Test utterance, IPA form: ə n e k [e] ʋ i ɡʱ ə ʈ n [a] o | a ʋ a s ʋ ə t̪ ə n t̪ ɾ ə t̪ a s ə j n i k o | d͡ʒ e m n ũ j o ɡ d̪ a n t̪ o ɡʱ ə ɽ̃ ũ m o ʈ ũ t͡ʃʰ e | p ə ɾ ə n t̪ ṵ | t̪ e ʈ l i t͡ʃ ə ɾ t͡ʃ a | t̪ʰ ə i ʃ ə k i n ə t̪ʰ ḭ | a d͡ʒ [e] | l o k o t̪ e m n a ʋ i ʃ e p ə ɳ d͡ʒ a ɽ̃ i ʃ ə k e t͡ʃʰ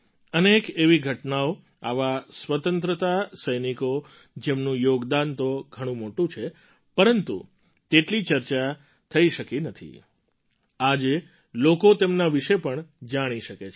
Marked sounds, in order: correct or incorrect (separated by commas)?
correct, correct, correct